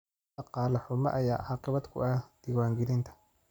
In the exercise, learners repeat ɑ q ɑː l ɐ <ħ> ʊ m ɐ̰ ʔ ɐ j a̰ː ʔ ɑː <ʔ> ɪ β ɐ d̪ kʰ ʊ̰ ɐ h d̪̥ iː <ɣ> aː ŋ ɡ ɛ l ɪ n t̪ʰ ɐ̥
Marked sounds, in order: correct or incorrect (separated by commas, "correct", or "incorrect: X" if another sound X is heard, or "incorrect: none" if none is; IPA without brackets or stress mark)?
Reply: correct, incorrect: q, incorrect: w